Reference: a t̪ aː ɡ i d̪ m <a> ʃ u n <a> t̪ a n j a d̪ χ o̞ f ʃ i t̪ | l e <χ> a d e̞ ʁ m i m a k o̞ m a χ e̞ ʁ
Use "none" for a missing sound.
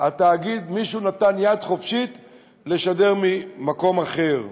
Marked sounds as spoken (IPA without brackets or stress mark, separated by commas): i, a, ʃ